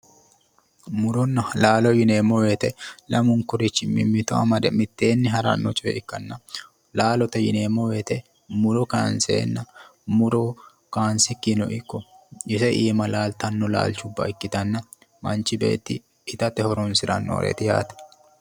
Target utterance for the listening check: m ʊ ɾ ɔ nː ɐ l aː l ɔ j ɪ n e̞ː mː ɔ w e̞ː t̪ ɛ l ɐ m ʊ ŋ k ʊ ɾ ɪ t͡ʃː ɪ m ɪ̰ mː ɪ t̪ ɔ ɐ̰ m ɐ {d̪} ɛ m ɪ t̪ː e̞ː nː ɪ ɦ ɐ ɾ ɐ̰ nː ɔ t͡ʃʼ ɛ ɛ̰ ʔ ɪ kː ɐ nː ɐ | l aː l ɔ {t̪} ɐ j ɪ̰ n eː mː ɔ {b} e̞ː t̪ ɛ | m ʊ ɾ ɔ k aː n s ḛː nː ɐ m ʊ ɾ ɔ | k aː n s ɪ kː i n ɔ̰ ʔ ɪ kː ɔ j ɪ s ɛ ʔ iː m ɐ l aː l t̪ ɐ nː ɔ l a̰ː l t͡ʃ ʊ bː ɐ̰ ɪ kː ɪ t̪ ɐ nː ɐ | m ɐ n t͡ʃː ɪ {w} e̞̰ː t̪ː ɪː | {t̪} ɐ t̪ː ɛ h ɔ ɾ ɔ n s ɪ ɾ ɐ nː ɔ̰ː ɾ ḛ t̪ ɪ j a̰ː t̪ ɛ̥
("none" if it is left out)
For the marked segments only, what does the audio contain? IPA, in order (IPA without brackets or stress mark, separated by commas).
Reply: d̪, t̪, w, b, t̪